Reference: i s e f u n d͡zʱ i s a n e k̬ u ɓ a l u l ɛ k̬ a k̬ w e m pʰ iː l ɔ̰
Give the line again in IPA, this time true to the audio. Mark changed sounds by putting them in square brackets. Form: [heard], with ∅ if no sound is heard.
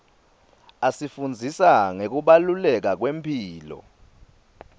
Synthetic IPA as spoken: [a] s [i] f u n d͡zʱ i s a [ŋ] e k̬ u ɓ a l u l ɛ k̬ a k̬ w e m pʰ iː l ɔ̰